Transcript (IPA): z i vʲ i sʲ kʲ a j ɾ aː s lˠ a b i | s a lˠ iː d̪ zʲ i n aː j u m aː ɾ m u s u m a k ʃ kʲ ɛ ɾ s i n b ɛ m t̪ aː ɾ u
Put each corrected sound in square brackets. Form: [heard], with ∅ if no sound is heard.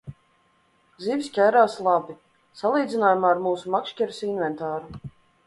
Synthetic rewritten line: z i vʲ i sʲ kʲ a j ɾ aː s lˠ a b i | s a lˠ iː d̪ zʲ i n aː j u m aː ɾ m [uː] s u m a k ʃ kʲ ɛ ɾ s i n [v] ɛ [n] t̪ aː ɾ u